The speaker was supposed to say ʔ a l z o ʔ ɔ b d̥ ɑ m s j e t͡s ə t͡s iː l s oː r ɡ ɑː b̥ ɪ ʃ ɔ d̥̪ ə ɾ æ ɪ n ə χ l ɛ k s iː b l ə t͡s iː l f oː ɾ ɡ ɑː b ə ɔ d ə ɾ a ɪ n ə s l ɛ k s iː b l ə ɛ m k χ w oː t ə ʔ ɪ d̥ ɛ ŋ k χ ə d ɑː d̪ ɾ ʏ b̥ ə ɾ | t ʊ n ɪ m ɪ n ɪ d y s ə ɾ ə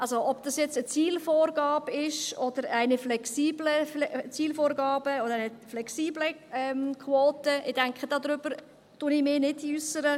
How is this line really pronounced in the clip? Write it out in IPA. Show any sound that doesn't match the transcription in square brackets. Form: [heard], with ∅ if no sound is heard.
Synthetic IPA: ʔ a l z o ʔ ɔ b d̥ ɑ [∅] s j [ɛ] t͡s ə t͡s iː l [f] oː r ɡ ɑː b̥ ɪ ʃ ɔ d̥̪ ə ɾ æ ɪ n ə [f] l ɛ k s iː b l ə t͡s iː l f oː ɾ ɡ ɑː b ə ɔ d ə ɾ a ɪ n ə [f] l ɛ k s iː b l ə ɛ m k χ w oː t ə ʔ ɪ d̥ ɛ ŋ k χ ə d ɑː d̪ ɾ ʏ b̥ ə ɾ | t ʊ n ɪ m ɪ n ɪ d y s ə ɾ ə